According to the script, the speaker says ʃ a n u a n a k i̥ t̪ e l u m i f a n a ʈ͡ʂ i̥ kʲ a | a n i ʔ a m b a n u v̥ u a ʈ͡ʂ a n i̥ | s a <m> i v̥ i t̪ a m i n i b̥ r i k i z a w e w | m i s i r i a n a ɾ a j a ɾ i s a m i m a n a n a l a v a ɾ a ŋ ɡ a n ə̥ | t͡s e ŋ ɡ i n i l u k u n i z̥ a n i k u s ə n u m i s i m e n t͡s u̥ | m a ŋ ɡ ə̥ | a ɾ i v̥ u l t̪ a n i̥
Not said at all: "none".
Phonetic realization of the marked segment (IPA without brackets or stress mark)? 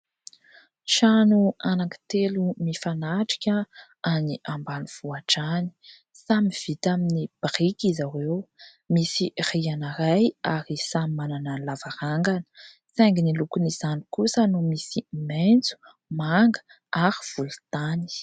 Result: m